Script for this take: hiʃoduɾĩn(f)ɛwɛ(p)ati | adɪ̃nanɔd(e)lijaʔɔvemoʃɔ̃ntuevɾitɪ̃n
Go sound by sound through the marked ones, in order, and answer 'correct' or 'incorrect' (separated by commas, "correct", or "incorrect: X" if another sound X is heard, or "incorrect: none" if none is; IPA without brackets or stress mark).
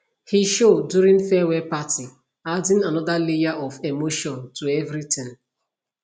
correct, correct, incorrect: a